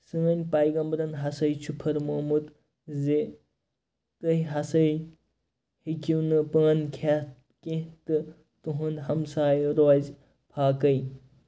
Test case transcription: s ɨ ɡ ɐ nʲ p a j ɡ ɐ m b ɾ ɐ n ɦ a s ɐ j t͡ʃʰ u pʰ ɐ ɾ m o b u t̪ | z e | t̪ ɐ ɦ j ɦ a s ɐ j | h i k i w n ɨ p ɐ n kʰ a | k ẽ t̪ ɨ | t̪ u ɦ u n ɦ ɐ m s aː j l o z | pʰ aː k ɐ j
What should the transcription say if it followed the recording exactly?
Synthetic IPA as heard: s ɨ ŋ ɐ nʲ p a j ɡ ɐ m b ɾ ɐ n ɦ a s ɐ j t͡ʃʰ u pʰ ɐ ɾ m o m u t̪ | z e | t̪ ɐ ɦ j ɦ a s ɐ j | h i k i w n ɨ p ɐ n kʰ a | k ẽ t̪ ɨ | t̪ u ɦ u n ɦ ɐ m s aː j ɾ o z | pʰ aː k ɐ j